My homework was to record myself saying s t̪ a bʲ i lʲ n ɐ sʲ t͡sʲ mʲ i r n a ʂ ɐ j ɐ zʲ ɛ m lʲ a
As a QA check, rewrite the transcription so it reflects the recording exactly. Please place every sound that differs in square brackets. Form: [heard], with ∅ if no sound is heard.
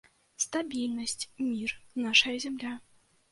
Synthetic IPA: s t̪ a bʲ i lʲ n ɐ sʲ t͡sʲ mʲ i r n a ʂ ɐ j ɐ zʲ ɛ m lʲ a